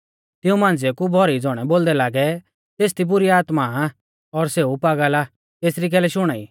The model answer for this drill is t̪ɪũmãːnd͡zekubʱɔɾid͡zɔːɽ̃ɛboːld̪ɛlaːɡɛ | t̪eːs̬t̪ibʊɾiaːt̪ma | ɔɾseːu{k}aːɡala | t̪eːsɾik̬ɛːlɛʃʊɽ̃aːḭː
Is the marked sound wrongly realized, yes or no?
yes